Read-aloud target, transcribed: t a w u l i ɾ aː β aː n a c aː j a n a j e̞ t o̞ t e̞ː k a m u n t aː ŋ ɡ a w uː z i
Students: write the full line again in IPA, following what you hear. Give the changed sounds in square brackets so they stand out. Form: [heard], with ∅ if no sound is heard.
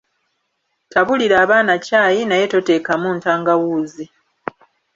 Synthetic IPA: t a [β] u l i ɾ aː β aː n a c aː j [i] n a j e̞ t o̞ t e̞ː k a m u n t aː ŋ ɡ a w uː z i